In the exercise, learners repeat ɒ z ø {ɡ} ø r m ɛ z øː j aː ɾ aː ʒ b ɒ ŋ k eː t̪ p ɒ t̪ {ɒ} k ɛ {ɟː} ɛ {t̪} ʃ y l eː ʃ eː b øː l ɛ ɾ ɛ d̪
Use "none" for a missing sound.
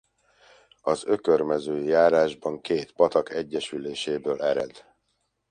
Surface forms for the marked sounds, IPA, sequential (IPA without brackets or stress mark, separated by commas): k, ɒ, ɟː, none